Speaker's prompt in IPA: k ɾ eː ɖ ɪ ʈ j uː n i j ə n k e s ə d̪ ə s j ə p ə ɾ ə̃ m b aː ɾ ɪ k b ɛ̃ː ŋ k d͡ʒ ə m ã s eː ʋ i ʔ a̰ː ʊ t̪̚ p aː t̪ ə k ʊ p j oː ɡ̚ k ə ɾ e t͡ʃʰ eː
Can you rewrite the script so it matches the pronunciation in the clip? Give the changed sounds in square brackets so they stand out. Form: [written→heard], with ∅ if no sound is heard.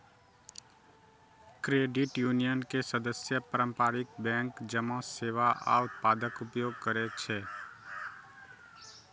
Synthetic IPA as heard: k ɾ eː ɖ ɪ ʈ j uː n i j ə n k e s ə d̪ ə s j ə p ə ɾ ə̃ m [b→p] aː ɾ ɪ k b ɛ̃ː ŋ k d͡ʒ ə m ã s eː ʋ [i→a] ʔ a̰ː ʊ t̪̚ p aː [t̪→d̪] ə k ʊ p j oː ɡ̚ k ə ɾ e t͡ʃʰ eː